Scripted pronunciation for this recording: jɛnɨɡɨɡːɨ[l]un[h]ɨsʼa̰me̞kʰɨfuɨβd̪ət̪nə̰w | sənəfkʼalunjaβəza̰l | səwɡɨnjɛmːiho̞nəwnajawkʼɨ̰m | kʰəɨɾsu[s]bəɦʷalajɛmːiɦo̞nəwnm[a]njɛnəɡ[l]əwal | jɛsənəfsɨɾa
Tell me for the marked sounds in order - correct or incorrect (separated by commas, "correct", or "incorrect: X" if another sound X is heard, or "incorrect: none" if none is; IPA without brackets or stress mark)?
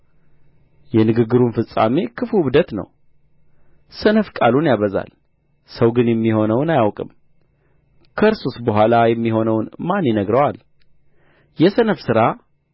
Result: incorrect: ɾ, incorrect: f, correct, correct, incorrect: ɾ